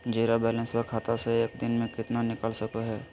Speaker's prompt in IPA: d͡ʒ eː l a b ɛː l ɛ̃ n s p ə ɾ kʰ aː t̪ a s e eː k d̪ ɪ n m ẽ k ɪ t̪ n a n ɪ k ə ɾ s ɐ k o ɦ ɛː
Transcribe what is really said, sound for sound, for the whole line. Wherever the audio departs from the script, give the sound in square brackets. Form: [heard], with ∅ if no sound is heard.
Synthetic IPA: d͡ʒ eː [ɾ] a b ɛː l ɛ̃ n s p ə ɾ kʰ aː t̪ a s e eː k d̪ ɪ n m ẽ k ɪ t̪ n a n ɪ k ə [l] s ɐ k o ɦ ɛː